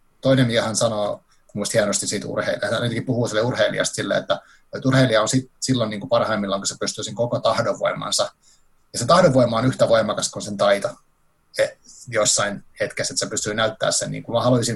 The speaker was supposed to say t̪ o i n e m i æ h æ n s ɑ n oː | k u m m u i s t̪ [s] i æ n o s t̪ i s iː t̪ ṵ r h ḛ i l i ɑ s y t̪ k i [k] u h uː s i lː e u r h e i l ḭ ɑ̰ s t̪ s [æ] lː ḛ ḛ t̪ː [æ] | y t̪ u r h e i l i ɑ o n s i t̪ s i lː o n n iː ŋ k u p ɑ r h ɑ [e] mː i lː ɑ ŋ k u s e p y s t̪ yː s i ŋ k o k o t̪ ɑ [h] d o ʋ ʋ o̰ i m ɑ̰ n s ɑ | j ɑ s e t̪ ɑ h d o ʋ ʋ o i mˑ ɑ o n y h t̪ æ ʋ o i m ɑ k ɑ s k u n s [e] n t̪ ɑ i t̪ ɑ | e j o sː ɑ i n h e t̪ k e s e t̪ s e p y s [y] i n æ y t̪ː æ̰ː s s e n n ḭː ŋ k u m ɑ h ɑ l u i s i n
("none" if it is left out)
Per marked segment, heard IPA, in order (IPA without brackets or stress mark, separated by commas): h, p, i, æ, i, h, e, y